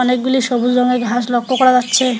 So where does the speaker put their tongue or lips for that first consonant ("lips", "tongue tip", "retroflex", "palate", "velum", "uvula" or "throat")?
tongue tip